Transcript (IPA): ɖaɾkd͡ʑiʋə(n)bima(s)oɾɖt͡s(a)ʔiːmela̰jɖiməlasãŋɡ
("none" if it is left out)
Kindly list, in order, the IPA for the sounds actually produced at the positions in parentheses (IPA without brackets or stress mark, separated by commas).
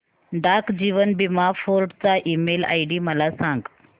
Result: n, f, a